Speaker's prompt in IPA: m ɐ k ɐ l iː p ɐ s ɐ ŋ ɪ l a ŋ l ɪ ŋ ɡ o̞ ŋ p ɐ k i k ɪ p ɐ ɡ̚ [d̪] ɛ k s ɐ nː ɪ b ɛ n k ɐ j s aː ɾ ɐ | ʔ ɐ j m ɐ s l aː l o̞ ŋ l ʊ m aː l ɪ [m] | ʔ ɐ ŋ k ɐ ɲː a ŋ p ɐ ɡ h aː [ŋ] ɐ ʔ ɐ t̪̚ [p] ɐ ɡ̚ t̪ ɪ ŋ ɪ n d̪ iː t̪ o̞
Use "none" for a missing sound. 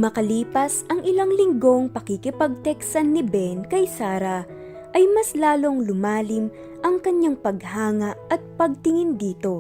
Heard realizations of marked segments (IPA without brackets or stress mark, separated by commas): t̪, m, ŋ, p